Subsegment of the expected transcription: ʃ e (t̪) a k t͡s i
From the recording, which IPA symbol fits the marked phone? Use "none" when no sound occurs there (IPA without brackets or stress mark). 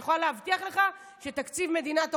t̪